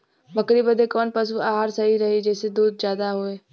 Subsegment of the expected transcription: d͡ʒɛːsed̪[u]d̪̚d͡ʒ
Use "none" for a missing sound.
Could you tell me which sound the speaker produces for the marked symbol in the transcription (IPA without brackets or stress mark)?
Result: uː